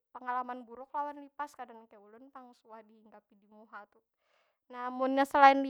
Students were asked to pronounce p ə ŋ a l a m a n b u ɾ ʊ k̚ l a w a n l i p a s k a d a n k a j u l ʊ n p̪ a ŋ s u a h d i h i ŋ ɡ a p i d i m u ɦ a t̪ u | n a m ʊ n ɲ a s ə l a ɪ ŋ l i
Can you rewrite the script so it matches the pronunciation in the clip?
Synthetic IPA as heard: p ə ŋ a l a m a n b u ɾ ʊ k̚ l a w a n l i p a s k a d a n k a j u l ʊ n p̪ a ŋ s u a h d i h i ŋ ɡ a p i d i m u ɦ a t̪ u | n a m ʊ n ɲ a s ə l a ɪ n l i